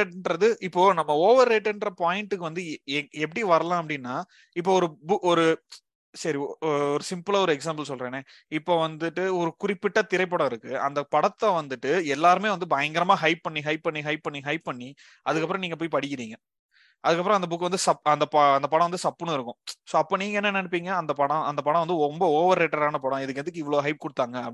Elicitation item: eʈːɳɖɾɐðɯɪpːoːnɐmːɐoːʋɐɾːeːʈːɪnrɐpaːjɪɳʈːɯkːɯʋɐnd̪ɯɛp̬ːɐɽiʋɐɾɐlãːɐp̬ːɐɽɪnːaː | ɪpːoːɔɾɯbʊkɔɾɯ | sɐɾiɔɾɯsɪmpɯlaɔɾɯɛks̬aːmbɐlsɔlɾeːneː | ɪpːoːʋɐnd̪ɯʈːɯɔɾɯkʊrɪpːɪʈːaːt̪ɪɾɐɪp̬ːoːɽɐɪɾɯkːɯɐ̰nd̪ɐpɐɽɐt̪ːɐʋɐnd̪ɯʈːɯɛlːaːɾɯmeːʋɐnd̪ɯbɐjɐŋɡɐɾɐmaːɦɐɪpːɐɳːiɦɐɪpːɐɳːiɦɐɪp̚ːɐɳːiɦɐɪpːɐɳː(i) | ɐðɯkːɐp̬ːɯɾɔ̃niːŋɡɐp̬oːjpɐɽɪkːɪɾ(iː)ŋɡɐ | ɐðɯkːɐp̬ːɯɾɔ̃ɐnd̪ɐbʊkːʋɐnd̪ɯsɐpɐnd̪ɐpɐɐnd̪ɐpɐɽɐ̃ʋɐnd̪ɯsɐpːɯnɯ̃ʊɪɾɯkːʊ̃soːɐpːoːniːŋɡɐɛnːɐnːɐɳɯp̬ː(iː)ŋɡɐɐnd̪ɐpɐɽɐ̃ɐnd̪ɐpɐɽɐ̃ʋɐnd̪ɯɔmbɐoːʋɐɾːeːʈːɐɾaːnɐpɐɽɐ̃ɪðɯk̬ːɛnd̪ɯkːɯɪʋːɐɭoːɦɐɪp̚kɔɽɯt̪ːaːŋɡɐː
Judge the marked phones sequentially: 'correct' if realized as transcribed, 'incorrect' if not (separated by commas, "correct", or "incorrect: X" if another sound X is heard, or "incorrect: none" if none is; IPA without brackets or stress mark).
correct, correct, correct